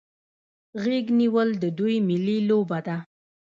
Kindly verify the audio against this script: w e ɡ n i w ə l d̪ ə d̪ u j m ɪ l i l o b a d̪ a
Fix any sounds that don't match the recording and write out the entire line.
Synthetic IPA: ɣ e ɡ n i w ə l d̪ ə d̪ u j m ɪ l i l o b a d̪ a